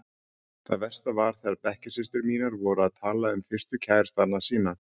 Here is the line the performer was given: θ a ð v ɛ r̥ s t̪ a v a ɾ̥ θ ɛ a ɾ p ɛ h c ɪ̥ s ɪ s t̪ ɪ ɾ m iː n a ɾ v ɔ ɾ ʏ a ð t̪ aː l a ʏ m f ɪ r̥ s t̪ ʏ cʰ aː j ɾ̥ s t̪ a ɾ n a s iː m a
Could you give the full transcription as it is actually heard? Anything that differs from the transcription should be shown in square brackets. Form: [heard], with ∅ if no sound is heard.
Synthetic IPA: θ a ð v ɛ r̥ s t̪ a v a ɾ̥ θ ɛ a ɾ p ɛ h c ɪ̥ s ɪ s t̪ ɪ ɾ m iː n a ɾ v ɔ ɾ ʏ a ð [t̪ʰ] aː l a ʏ m f ɪ r̥ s t̪ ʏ cʰ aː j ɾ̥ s t̪ a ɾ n a s iː [n] a